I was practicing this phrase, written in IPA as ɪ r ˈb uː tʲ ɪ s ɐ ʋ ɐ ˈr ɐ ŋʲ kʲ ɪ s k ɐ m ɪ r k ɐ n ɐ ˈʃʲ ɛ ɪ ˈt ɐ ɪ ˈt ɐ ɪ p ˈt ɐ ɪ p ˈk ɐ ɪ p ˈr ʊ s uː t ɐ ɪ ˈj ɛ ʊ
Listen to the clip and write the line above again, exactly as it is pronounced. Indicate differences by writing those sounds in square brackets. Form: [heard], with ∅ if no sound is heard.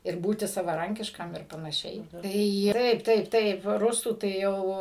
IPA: ɪ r ˈb uː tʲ ɪ s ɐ ʋ ɐ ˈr ɐ ŋʲ kʲ ɪ [ʃ] k ɐ m ɪ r [p] ɐ n ɐ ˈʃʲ ɛ ɪ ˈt ɐ ɪ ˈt ɐ ɪ p ˈt ɐ ɪ p [ˈt] ɐ ɪ p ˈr ʊ s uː t ɐ ɪ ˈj ɛ ʊ

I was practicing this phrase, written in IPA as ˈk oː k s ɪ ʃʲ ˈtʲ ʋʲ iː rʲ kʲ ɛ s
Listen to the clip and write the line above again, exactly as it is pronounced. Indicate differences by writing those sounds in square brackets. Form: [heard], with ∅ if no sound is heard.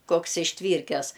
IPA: ˈk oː k s ɪ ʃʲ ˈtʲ ʋʲ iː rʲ kʲ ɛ s

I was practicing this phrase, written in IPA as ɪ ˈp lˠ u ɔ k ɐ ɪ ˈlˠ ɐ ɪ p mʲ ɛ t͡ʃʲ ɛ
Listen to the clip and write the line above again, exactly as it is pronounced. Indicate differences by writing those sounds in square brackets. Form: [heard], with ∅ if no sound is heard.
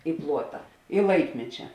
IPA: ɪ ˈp lˠ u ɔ [t] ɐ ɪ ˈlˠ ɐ ɪ [k] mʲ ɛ t͡ʃʲ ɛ

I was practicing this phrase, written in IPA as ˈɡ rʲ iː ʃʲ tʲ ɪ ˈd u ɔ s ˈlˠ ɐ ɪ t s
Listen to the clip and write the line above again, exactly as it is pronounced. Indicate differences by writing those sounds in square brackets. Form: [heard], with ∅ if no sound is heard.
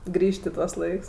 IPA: ˈɡ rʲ iː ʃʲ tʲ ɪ [ˈt] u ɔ s ˈlˠ ɐ ɪ [k] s

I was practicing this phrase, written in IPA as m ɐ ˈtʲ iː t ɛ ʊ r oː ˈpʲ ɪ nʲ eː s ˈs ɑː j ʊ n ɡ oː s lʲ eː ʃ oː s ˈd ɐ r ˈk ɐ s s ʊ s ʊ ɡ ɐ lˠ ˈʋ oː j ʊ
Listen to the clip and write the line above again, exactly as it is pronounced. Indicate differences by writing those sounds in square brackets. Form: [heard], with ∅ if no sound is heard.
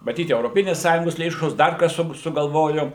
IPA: m ɐ ˈtʲ iː t ɛ ʊ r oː ˈpʲ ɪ nʲ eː s ˈs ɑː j ʊ [ŋ] ɡ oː s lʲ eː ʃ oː s ˈd ɐ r ˈk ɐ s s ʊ s ʊ ɡ ɐ lˠ ˈʋ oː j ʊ

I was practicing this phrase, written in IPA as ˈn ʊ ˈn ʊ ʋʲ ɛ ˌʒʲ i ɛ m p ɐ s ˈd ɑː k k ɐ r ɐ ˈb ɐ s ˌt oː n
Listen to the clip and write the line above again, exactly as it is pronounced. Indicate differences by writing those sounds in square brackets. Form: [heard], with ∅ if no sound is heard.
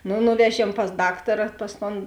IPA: ˈn ʊ ˈn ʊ ʋʲ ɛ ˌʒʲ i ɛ m p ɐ s ˈd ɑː k [t] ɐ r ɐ [ˈp] ɐ s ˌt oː n

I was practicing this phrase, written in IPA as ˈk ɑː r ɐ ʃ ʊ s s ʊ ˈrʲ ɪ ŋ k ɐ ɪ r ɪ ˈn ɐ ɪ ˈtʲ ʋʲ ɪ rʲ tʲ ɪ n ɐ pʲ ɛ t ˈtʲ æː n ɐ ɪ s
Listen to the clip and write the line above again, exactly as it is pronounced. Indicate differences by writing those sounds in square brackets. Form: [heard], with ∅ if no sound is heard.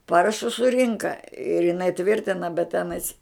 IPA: [ˈp] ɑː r ɐ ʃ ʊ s s ʊ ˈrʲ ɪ ŋ k ɐ ɪ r ɪ ˈn ɐ ɪ ˈtʲ ʋʲ ɪ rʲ tʲ ɪ n ɐ [bʲ] ɛ t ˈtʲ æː n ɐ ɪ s

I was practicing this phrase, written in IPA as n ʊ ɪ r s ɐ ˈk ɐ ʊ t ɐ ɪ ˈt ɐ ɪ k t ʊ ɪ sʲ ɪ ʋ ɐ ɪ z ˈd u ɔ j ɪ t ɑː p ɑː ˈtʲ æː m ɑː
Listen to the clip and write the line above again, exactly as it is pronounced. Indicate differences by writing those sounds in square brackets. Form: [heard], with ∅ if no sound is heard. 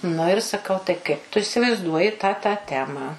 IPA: n ʊ ɪ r s ɐ ˈk ɐ ʊ t ɐ ɪ [ˈk] ɐ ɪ [p] t ʊ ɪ sʲ ɪ ʋ ɐ ɪ z ˈd u ɔ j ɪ t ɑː [t] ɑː ˈtʲ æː m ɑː

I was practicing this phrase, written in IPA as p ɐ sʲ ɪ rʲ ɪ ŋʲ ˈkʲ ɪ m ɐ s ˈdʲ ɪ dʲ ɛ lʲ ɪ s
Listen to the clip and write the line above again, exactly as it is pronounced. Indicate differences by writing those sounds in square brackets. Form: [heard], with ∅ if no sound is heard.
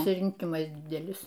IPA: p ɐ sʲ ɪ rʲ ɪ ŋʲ ˈkʲ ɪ m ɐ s ˈdʲ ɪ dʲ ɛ lʲ ɪ s

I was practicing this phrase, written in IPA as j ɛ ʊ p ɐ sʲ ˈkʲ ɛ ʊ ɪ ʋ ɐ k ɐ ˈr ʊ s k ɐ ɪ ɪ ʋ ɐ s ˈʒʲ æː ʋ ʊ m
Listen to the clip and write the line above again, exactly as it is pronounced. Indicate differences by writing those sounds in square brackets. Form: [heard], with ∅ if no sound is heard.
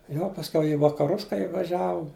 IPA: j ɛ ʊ p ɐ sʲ ˈkʲ ɛ ʊ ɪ ʋ ɐ k ɐ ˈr ʊ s k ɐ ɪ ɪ ʋ ɐ [∅] ˈʒʲ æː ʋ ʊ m

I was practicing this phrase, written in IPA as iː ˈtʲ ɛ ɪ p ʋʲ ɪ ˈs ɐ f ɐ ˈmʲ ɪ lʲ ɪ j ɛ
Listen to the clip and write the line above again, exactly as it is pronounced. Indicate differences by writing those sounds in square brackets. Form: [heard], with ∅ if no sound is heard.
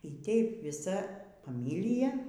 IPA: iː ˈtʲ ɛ ɪ p ʋʲ ɪ ˈs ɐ f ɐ ˈmʲ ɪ lʲ ɪ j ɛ

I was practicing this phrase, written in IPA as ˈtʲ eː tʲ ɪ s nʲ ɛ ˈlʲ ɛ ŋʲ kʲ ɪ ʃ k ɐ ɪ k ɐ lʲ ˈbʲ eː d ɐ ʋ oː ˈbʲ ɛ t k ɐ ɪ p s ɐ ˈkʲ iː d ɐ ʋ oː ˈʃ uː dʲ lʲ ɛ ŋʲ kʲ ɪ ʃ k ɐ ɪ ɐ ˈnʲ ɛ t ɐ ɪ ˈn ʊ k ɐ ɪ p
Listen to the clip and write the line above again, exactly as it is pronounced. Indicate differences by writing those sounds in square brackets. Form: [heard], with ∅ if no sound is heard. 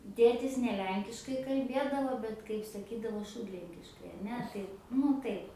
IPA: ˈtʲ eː tʲ ɪ s nʲ ɛ ˈlʲ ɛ ŋʲ kʲ ɪ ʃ k ɐ ɪ k ɐ lʲ ˈbʲ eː d ɐ ʋ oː ˈbʲ ɛ t k ɐ ɪ p s ɐ ˈkʲ iː d ɐ ʋ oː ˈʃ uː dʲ lʲ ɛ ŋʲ kʲ ɪ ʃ k ɐ ɪ ɐ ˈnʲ ɛ t ɐ ɪ ˈn ʊ [t] ɐ ɪ p

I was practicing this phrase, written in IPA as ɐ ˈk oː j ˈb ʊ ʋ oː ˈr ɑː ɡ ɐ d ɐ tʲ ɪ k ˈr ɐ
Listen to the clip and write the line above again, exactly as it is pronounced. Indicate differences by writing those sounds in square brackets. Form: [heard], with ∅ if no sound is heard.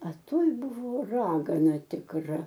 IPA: ɐ [ˈt] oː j ˈb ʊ ʋ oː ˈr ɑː ɡ ɐ [n] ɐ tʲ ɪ k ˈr ɐ

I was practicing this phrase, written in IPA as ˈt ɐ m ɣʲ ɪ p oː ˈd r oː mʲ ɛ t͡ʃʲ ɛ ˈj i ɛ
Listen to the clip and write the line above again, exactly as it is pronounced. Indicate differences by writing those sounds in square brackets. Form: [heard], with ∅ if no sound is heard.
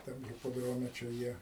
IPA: ˈt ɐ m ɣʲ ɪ p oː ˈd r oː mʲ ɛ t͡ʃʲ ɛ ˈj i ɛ

